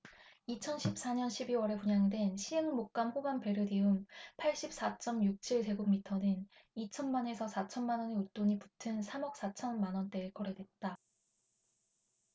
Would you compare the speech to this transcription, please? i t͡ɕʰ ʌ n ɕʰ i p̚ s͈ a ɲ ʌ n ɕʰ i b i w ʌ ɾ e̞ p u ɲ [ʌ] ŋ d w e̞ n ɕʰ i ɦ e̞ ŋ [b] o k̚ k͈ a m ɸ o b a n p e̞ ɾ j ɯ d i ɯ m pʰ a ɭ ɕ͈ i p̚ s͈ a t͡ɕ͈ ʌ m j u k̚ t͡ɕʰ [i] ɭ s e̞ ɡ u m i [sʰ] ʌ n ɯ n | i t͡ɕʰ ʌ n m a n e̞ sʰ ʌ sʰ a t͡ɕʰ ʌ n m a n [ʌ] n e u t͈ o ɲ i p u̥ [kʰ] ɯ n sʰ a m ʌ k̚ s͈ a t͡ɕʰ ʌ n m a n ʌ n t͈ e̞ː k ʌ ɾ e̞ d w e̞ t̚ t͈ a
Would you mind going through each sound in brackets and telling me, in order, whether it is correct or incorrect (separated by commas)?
incorrect, incorrect, correct, incorrect, correct, incorrect